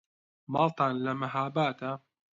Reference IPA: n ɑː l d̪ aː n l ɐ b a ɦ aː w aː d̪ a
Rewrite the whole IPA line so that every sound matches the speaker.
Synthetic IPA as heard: m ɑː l t̪ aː n l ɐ m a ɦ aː b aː t̪ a